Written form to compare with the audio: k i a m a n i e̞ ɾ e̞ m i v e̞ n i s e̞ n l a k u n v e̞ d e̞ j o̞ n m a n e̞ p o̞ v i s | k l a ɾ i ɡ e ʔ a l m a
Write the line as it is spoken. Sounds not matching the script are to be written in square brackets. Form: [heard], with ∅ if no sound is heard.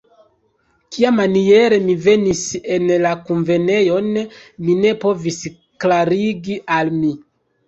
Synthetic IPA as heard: k i a m a n i e̞ ɾ e̞ m i v e̞ n i s e̞ n l a k u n v e̞ [n] e̞ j o̞ n m [i] n e̞ p o̞ v i s | k l a ɾ i ɡ [i] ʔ a l m [i]